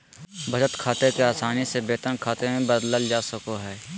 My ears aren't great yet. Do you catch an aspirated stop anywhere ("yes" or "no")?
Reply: yes